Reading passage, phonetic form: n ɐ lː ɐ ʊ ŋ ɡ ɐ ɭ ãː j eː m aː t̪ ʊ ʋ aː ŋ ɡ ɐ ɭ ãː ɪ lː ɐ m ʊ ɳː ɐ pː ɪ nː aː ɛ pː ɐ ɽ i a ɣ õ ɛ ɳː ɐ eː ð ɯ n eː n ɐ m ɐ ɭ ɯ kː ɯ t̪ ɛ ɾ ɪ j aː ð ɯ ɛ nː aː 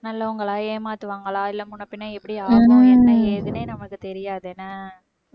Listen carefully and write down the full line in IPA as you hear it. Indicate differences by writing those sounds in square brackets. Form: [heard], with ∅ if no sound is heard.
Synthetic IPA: n ɐ lː ɐ ʊ ŋ ɡ ɐ ɭ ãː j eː m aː t̪ [ɯ] ʋ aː ŋ ɡ ɐ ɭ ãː ɪ lː ɐ m ʊ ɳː ɐ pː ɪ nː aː ɛ pː ɐ ɽ i a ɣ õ ɛ [nː] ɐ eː ð ɯ n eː n ɐ m ɐ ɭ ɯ kː ɯ t̪ ɛ ɾ ɪ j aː ð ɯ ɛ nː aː